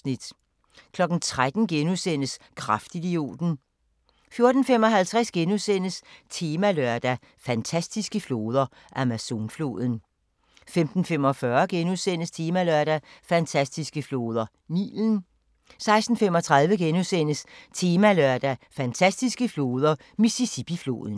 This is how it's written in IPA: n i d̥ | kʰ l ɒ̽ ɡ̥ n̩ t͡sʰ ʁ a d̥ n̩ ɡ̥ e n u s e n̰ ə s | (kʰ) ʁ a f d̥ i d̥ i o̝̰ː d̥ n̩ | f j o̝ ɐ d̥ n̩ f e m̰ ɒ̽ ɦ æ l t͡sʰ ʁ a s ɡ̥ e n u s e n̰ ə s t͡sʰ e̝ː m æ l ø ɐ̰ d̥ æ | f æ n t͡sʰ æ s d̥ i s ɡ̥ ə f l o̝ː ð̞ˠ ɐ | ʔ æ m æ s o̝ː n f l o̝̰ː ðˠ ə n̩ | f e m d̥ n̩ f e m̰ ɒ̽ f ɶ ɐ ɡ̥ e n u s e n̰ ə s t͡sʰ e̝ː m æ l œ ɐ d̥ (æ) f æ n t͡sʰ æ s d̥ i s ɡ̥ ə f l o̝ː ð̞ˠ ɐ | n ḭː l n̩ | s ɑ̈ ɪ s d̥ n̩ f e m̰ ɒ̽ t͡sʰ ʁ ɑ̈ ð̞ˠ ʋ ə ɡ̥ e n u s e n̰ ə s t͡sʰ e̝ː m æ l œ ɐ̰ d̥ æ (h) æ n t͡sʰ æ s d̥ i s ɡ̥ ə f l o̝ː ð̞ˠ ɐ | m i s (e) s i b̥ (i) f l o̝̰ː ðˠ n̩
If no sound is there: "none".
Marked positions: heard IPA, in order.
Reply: kʰ, æ, f, i, i

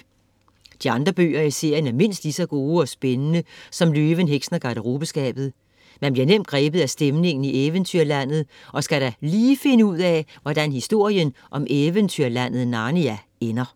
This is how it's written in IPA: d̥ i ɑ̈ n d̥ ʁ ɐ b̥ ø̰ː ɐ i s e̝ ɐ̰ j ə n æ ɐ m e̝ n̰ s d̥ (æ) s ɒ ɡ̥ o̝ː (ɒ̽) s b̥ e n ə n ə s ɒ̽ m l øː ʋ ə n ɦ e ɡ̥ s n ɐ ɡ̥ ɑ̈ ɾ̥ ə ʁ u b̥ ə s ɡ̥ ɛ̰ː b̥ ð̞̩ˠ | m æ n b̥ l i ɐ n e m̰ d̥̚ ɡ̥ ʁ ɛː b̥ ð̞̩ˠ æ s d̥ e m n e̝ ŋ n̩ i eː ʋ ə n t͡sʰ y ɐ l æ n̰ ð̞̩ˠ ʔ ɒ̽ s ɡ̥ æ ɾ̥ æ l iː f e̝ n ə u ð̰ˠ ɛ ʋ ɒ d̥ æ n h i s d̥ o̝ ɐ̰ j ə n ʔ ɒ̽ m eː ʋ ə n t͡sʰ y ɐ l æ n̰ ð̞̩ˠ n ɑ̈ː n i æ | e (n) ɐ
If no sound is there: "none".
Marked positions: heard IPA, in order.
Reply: i, ɒ̽, n

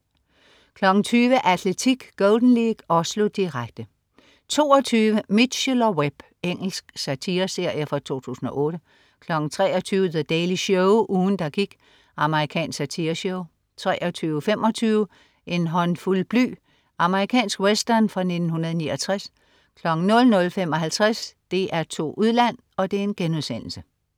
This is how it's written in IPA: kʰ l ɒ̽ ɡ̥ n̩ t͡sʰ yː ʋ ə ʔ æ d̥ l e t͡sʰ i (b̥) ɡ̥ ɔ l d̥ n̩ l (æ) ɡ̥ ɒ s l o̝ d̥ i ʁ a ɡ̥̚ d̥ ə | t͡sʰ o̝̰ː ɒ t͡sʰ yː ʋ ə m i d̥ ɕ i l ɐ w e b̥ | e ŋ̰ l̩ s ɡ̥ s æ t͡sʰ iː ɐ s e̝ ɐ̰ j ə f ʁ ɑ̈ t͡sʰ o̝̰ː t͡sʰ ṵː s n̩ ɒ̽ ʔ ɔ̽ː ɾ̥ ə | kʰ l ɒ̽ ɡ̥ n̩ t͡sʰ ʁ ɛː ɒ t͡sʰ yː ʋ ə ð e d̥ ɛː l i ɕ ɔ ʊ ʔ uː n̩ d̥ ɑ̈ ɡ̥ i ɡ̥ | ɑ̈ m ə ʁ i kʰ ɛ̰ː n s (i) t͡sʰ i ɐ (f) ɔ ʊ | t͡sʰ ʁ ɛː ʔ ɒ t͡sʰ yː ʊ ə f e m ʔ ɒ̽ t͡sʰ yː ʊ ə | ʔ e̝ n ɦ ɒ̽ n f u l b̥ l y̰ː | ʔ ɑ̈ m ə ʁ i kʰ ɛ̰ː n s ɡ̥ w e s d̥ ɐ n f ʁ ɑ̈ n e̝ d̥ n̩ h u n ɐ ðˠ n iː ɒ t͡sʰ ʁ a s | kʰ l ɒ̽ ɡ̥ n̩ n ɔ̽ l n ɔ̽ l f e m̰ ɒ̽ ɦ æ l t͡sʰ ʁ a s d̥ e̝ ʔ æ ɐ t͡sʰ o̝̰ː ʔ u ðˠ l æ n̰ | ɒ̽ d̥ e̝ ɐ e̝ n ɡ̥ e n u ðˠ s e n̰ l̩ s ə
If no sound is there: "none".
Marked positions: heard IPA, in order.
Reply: ɡ̥, i, æ, ɕ

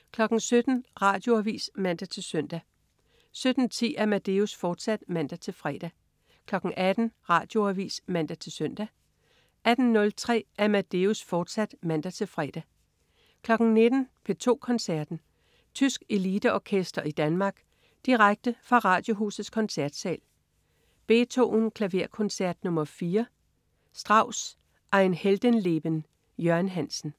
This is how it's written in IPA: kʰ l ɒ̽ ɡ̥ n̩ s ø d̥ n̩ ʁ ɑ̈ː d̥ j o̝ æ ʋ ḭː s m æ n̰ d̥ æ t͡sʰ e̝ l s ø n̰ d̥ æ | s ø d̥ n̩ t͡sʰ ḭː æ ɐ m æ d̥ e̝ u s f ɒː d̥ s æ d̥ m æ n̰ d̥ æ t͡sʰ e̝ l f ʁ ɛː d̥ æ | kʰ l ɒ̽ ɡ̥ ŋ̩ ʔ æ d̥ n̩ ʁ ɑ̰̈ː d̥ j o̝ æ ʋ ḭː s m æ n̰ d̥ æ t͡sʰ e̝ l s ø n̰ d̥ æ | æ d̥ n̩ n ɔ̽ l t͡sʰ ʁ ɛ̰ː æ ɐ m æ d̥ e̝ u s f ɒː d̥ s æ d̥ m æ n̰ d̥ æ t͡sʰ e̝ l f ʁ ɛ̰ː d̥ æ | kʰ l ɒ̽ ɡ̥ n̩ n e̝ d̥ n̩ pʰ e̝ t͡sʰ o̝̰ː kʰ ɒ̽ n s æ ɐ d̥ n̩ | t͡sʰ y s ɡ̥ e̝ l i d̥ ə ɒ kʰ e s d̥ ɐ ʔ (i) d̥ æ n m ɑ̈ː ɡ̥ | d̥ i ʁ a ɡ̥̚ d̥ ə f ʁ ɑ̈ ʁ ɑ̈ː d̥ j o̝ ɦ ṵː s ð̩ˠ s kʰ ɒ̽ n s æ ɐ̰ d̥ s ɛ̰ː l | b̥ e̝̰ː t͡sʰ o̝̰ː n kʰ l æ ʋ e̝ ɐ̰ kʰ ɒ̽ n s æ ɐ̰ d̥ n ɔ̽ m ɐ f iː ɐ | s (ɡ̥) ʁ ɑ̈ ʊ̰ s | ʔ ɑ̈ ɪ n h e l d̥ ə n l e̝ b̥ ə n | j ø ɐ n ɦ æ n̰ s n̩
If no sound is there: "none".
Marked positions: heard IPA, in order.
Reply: i, d̥

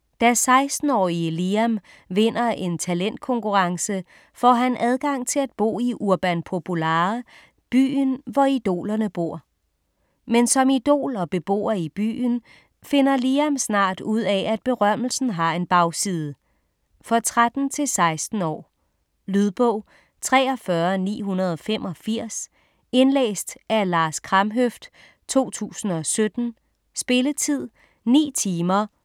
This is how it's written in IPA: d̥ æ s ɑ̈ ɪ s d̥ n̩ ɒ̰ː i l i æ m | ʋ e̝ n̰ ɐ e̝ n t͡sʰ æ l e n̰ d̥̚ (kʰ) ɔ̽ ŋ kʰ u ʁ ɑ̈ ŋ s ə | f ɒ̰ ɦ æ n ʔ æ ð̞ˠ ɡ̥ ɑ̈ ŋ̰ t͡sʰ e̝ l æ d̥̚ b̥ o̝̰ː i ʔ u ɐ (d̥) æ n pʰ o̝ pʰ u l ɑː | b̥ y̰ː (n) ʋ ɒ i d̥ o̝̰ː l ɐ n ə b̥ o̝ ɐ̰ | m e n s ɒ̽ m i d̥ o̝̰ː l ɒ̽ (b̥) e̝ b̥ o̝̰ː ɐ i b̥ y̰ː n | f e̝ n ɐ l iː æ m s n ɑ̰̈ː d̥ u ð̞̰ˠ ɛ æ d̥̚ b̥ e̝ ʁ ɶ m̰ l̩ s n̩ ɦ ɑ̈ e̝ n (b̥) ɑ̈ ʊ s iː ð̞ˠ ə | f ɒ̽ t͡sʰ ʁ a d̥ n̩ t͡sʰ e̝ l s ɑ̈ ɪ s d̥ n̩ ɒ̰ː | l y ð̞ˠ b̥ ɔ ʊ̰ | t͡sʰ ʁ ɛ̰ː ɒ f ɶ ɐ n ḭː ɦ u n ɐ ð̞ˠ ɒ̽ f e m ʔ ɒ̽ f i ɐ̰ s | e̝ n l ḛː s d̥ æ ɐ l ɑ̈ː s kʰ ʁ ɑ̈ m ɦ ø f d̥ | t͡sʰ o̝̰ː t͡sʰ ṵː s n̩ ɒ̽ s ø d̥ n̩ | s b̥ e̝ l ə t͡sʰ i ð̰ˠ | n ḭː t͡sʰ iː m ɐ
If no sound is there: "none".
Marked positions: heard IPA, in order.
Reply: kʰ, b̥, n, b̥, b̥

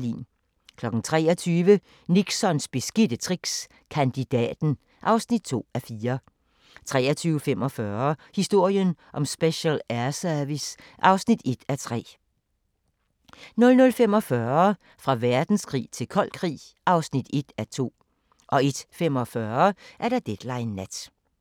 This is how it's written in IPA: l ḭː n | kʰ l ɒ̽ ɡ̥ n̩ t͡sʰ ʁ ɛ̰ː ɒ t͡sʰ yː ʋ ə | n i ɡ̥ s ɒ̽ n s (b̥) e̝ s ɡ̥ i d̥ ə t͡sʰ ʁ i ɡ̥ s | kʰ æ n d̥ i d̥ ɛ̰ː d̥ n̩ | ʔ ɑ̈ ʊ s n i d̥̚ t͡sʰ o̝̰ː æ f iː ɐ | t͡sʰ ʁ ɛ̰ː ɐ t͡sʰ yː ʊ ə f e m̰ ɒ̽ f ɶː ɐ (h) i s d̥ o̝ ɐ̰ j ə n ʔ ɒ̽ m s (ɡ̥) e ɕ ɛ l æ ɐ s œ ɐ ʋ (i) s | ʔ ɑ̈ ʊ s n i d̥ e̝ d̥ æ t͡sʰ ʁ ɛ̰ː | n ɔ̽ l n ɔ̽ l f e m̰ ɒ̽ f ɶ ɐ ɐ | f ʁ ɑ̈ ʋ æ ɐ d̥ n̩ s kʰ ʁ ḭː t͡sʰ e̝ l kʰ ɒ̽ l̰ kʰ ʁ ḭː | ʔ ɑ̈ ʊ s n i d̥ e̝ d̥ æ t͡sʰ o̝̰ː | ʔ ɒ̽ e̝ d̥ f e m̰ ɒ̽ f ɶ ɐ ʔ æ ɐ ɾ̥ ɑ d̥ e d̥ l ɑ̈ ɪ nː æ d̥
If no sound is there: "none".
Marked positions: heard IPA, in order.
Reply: b̥, h, b̥, i

